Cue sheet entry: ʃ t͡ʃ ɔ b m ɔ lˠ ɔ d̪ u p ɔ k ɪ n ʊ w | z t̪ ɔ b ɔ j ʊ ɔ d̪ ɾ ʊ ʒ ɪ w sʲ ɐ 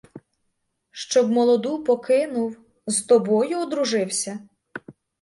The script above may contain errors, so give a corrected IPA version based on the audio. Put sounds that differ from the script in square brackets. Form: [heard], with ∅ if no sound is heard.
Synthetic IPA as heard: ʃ t͡ʃ ɔ b m ɔ lˠ ɔ d̪ u p ɔ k ɪ n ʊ w | z t̪ ɔ b ɔ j ʊ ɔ d̪ ɾ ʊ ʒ ɪ w sʲ ɐ